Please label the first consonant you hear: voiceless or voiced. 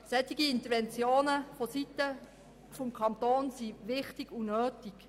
voiceless